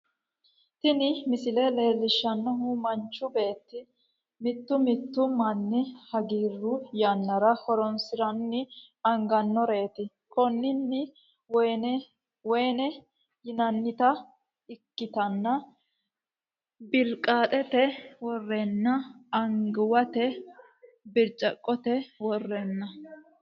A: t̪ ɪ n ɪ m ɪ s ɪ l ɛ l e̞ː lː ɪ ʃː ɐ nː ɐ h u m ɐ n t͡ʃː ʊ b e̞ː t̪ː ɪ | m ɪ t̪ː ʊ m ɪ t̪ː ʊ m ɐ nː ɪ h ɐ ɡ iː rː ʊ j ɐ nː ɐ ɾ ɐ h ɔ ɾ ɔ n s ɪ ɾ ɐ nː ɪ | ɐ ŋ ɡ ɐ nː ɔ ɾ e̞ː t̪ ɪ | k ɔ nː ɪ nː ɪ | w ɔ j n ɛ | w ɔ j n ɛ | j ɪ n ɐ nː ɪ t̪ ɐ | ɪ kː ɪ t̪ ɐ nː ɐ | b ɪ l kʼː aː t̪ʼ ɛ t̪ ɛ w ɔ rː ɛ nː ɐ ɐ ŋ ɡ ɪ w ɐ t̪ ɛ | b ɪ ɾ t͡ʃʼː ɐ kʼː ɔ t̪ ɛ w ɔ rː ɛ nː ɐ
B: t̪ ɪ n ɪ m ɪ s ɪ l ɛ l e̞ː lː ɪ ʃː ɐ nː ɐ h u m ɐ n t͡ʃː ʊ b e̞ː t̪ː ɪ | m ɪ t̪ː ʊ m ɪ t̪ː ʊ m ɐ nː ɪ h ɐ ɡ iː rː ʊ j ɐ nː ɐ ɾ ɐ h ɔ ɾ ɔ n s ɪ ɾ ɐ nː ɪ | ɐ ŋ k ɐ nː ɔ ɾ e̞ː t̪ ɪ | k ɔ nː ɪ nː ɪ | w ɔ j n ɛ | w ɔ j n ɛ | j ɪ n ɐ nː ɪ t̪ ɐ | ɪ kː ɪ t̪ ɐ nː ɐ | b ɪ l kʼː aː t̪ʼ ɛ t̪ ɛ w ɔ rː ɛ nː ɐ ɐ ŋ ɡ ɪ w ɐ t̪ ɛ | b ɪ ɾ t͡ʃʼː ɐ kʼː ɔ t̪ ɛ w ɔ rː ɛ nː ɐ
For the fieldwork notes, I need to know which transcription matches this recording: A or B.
A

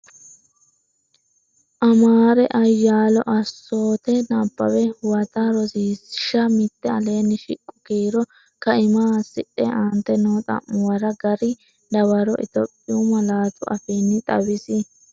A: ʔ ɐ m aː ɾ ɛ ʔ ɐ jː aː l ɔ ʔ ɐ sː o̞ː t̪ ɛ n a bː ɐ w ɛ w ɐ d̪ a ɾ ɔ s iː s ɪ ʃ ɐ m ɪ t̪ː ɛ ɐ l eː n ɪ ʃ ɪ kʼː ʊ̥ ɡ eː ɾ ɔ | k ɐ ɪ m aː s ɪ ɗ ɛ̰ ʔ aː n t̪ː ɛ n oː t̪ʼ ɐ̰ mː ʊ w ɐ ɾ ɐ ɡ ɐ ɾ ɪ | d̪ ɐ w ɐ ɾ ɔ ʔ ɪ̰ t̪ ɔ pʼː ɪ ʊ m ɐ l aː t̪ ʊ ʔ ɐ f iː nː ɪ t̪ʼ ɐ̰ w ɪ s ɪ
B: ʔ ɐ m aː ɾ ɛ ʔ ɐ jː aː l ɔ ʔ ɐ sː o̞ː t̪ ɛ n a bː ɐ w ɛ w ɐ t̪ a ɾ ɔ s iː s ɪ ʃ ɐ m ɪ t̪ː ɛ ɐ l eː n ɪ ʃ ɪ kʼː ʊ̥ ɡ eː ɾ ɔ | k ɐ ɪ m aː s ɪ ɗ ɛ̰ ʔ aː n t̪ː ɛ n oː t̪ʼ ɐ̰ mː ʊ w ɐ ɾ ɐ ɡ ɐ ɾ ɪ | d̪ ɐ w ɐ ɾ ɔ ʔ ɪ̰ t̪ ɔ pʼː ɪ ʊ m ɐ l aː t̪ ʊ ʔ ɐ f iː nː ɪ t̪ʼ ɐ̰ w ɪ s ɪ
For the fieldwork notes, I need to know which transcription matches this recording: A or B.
B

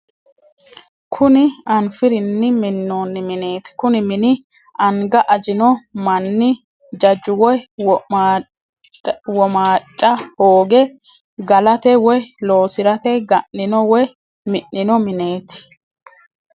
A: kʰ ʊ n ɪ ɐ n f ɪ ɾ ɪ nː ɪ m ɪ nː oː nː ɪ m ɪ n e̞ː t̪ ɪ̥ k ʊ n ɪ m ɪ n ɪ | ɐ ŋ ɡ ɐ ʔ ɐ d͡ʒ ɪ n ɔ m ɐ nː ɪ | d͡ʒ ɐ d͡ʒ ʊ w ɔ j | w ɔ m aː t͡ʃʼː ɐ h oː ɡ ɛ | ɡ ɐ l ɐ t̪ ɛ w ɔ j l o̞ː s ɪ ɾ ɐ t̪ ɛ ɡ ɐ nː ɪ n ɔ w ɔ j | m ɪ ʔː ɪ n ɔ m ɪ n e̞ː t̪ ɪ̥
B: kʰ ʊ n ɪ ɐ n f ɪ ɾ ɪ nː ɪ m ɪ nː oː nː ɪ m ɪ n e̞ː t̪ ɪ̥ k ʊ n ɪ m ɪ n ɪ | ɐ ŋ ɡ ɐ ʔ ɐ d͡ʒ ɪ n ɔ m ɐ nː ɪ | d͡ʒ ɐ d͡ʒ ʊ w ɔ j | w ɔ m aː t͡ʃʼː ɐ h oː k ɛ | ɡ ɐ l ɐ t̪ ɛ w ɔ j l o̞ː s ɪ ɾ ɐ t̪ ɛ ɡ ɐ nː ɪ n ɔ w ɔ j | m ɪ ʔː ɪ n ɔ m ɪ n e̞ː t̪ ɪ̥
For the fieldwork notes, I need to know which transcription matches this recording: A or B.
A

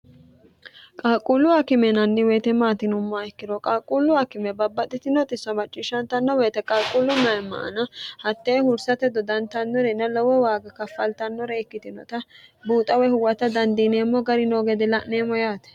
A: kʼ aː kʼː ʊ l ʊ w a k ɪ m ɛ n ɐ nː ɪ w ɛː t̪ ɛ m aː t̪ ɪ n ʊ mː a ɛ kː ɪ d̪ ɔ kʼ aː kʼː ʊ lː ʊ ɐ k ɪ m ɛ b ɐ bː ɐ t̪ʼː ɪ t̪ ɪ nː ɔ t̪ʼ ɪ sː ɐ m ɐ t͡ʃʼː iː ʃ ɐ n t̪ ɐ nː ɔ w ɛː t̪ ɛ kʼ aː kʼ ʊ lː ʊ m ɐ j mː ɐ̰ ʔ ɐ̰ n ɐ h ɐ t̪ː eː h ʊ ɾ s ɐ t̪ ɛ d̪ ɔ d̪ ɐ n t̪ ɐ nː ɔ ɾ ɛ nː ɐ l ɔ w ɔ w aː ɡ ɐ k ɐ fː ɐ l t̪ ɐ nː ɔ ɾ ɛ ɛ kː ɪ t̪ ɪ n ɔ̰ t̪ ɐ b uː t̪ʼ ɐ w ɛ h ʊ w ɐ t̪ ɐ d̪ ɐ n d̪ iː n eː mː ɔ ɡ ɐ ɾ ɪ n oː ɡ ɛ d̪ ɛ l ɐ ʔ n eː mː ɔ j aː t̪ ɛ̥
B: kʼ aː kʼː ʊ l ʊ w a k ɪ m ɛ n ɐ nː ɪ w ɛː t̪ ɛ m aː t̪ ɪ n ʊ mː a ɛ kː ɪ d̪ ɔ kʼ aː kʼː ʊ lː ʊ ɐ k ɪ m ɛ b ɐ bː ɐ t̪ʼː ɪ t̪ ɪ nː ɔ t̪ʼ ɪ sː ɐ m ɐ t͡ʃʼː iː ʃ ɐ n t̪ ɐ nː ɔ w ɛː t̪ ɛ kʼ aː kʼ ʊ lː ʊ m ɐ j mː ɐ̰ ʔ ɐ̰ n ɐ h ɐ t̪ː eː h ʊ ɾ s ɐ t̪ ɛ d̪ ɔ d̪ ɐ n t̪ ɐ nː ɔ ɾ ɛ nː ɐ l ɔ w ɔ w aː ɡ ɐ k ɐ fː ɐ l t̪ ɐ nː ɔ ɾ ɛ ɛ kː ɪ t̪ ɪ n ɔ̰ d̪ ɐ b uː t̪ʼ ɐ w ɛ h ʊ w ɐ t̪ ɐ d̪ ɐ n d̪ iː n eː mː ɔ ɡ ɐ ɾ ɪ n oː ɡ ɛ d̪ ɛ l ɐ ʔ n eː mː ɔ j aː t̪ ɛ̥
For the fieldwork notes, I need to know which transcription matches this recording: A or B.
A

